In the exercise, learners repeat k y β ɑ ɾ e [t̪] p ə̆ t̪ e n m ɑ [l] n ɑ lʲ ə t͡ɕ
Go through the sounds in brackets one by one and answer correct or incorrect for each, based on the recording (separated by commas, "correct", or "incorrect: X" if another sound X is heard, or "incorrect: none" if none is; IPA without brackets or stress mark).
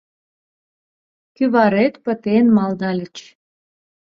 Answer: correct, correct